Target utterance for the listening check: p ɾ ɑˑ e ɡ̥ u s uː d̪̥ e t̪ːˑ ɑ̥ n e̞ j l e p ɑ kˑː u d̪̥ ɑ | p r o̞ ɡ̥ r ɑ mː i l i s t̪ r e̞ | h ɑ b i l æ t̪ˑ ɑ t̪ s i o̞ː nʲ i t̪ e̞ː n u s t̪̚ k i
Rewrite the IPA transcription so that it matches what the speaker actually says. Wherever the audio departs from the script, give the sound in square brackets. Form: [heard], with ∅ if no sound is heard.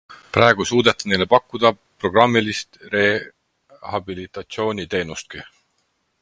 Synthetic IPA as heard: p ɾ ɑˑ e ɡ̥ u s uː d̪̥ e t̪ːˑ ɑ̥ n e̞ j l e p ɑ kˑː u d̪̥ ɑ | p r o̞ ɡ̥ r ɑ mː i l i s t̪ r e̞ | h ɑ b i l [i] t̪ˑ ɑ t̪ s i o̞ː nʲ i t̪ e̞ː n u s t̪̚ k i